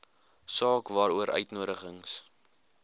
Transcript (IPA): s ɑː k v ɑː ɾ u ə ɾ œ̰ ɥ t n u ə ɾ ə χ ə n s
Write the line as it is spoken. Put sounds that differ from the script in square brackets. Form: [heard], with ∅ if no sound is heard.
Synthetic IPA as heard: s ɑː k v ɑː ɾ u ə ɾ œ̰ ɥ t n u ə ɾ ə χ ə [ŋ] s